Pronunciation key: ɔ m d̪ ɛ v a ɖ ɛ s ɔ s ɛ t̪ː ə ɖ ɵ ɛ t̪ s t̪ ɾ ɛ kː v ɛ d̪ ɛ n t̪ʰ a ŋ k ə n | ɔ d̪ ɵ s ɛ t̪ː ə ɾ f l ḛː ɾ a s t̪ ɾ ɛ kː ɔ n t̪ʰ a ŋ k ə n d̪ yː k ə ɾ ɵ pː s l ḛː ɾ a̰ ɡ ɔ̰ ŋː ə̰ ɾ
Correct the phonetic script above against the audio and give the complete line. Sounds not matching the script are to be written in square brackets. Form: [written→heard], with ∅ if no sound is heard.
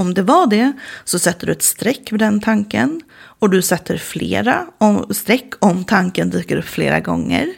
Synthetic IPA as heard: ɔ m d̪ ɛ v a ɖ ɛ s ɔ s ɛ t̪ː ə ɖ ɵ ɛ t̪ s t̪ ɾ ɛ kː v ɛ d̪ ɛ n t̪ʰ a ŋ k ə n | ɔ d̪ ɵ s ɛ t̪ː ə ɾ f l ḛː ɾ a s t̪ ɾ ɛ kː ɔ [n→m] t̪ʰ a ŋ k ə n d̪ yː k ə ɾ ɵ pː [s→f] l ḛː ɾ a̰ ɡ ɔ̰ ŋː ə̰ ɾ